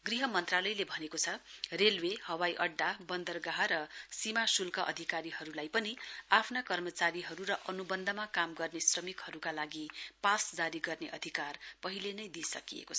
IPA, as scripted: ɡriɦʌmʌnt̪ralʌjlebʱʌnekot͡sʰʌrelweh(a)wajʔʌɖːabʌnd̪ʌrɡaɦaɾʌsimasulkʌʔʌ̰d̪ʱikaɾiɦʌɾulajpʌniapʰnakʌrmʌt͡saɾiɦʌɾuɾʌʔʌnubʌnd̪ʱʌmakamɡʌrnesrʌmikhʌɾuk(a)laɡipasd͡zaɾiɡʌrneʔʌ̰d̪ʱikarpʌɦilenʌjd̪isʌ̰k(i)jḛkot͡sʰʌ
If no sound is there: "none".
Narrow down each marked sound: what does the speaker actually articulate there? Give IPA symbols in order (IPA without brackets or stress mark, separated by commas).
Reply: ʌ, a, i